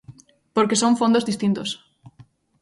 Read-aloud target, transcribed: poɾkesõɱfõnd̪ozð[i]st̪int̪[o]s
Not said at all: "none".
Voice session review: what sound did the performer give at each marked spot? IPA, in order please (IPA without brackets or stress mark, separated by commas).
i, o